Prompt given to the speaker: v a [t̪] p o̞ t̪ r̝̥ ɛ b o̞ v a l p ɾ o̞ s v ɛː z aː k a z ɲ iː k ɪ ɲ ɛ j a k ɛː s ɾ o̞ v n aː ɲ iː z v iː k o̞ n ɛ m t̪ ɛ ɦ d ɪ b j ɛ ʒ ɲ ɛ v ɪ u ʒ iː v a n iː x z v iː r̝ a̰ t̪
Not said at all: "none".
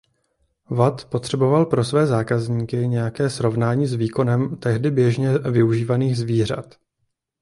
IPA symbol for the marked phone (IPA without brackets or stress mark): t̪